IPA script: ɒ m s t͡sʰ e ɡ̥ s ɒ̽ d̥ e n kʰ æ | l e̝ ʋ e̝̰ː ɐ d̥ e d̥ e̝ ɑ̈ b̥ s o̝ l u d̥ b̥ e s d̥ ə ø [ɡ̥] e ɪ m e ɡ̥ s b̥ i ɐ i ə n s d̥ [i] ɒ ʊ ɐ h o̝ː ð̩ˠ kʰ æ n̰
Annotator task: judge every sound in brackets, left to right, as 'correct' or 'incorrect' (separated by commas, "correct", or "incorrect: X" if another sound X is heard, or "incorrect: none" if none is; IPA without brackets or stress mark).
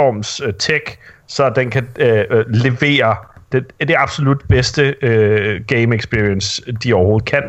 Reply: correct, correct